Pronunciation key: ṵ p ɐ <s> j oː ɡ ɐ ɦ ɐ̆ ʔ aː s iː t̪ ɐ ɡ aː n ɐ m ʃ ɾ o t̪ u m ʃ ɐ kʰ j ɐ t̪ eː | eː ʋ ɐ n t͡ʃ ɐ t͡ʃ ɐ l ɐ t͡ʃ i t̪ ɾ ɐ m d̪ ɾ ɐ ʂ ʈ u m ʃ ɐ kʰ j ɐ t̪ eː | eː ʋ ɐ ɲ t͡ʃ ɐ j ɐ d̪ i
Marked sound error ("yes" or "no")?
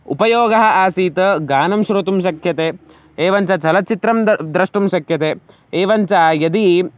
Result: yes